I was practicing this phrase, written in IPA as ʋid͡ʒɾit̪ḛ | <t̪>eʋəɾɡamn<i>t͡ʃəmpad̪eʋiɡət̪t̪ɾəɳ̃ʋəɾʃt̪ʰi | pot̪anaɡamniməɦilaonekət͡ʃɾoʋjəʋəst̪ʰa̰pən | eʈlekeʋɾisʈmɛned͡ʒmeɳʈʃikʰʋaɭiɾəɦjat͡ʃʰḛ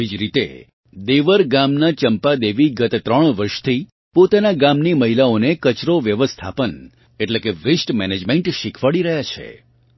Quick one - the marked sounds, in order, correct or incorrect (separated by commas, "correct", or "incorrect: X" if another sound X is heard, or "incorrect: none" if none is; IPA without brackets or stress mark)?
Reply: incorrect: d̪, incorrect: a